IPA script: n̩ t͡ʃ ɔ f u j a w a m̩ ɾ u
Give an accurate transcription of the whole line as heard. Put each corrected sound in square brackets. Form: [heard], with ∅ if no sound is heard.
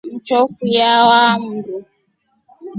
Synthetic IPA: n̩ t͡ʃ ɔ f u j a w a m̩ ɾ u

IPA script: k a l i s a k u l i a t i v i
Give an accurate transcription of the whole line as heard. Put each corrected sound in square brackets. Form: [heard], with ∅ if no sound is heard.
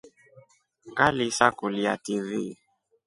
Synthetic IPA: k a l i s a k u l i a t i v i

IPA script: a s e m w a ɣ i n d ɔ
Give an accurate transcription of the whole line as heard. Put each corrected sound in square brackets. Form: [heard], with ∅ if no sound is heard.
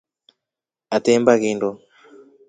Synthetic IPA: a [t] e m [b] a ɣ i n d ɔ

